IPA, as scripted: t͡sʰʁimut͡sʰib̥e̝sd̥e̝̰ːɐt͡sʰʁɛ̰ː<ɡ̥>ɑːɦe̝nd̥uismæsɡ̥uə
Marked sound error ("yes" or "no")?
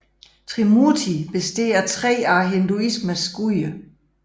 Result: yes